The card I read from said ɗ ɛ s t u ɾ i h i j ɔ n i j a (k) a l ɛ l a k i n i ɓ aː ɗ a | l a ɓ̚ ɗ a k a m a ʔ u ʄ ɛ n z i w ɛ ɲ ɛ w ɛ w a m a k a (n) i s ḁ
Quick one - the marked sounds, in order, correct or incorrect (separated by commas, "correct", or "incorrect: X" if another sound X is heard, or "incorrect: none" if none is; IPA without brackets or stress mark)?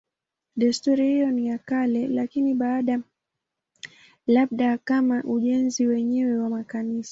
correct, correct